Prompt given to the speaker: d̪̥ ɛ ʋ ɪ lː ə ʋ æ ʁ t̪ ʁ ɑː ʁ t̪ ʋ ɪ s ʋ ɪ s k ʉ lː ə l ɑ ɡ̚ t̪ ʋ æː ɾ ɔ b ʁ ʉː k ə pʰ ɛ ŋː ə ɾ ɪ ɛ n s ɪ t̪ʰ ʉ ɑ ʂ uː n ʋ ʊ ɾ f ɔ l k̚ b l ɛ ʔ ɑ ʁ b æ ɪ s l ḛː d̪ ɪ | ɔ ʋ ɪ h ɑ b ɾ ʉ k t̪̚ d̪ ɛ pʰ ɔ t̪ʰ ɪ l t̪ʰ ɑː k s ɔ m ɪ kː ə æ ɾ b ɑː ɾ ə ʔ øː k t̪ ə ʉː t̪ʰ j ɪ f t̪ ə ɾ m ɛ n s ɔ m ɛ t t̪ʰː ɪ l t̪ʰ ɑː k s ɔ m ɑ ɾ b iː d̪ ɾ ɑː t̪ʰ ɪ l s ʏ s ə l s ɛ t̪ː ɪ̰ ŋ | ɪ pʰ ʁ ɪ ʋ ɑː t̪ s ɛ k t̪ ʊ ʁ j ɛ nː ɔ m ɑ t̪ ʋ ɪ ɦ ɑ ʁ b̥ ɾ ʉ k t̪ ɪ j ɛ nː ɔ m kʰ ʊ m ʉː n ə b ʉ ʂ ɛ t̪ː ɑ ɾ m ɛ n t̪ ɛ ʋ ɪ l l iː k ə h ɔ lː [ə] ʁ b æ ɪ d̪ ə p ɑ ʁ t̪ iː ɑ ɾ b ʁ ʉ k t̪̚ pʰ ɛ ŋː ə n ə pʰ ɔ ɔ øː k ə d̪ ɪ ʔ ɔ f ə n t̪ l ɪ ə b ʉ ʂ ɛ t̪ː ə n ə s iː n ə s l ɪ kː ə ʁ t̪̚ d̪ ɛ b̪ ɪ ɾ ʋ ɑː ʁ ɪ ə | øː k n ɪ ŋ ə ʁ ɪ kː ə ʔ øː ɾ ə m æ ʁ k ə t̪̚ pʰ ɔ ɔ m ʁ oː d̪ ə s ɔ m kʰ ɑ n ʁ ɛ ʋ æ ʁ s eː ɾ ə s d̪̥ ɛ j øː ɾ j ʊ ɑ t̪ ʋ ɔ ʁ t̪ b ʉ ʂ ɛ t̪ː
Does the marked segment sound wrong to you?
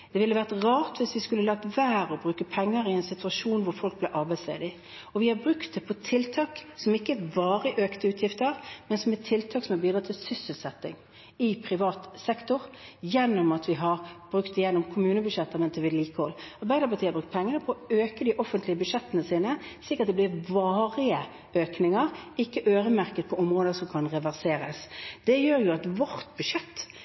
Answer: yes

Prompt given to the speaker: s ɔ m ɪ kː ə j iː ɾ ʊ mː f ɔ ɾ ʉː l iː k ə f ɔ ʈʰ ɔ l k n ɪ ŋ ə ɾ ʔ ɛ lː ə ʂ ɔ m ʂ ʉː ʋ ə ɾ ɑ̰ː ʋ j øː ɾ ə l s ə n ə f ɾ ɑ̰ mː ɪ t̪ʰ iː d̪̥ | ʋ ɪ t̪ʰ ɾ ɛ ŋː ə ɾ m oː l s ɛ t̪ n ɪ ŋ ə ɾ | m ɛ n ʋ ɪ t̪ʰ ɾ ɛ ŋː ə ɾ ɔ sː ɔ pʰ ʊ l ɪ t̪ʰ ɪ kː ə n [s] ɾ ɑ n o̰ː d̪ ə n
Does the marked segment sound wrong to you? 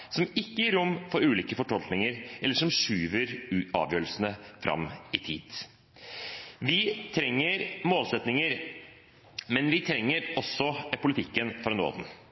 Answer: yes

